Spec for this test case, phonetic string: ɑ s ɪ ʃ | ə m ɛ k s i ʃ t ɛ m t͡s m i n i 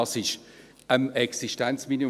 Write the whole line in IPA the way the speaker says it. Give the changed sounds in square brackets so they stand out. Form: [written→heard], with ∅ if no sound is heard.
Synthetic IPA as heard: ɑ s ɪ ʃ | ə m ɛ k s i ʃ t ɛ [m→n] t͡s m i n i